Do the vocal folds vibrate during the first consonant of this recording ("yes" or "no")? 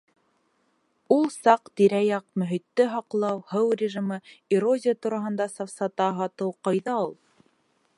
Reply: yes